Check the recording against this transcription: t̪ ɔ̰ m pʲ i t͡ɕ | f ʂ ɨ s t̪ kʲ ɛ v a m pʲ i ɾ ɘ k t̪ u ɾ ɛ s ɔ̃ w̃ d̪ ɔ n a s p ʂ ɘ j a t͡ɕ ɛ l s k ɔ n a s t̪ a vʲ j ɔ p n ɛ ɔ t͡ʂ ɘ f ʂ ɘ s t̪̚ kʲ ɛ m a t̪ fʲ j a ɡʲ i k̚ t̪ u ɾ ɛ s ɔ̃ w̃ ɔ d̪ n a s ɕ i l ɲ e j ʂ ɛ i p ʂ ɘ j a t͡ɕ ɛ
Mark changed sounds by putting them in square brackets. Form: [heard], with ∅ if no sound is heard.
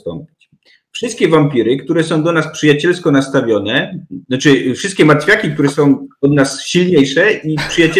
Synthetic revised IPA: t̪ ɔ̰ m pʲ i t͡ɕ | f ʂ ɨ s t̪ kʲ ɛ v a m pʲ i ɾ ɘ k t̪ u ɾ ɛ s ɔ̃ w̃ d̪ ɔ n a s p ʂ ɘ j a t͡ɕ ɛ l s k ɔ n a s t̪ a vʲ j ɔ [∅] n ɛ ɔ t͡ʂ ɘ f ʂ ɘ s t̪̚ kʲ ɛ m a t̪ fʲ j a [kʲ] i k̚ t̪ u ɾ ɛ s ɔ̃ w̃ ɔ d̪ n a s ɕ i l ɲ e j ʂ ɛ i p ʂ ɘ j a t͡ɕ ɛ